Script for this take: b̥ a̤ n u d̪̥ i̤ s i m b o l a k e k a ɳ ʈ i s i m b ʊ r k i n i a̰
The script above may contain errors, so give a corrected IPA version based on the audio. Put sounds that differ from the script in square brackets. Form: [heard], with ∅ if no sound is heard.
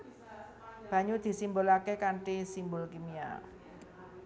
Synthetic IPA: b̥ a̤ [ɲ] u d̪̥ i̤ s i m b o l a k e k a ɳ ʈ i s i m b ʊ [l] k i [m] i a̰